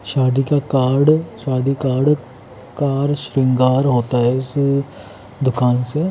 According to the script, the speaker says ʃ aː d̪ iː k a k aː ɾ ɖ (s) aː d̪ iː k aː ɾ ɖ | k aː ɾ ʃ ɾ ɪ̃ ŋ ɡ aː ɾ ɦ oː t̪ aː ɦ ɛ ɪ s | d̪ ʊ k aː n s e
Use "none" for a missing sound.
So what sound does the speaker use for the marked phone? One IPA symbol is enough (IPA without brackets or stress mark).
ʃ